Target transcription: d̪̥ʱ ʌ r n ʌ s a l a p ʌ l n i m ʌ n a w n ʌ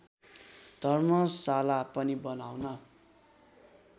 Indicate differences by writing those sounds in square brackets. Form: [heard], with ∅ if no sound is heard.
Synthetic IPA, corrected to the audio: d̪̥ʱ ʌ r [m] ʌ s a l a p ʌ [∅] n i [b] ʌ n a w n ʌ